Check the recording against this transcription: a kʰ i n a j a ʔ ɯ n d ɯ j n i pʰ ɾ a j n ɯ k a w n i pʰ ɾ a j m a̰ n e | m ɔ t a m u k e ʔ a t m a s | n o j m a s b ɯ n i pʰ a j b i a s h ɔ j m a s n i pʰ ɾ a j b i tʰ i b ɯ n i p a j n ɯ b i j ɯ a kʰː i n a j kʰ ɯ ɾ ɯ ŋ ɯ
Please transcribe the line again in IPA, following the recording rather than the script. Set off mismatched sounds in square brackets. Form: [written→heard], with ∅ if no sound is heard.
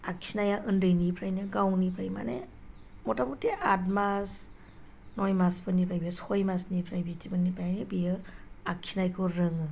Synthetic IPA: a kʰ i n a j a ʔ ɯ n d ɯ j n i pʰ ɾ a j n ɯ [k→ɡ] a w n i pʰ ɾ a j m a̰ n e | m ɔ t a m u [k→t] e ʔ a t m a s | n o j m a s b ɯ n i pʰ a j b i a s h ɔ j m a s n i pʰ ɾ a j b i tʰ i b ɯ n i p a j n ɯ b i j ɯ a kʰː i n a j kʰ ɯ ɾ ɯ ŋ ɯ